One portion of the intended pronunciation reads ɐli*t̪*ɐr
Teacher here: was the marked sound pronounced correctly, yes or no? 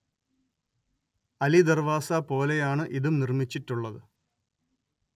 no